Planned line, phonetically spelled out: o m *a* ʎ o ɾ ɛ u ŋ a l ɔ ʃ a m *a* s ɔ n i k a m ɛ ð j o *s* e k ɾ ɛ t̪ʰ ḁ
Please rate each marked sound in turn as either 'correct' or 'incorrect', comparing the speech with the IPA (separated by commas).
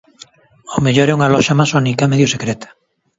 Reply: incorrect, correct, correct